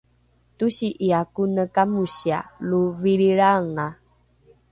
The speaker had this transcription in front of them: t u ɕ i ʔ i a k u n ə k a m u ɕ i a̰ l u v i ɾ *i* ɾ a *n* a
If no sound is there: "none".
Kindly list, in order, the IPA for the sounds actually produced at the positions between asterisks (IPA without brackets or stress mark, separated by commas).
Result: i, ŋ